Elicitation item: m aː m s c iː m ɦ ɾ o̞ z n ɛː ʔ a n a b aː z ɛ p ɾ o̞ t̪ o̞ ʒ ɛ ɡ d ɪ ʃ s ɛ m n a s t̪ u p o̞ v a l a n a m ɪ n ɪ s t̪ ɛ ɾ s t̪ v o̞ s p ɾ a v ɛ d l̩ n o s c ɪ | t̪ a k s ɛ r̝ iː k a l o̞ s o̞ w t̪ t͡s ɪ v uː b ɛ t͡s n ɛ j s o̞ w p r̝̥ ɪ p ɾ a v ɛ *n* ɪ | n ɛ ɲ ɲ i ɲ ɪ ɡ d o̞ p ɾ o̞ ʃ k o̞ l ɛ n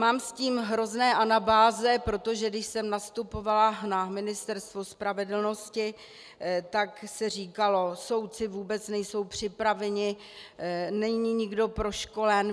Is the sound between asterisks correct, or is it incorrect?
incorrect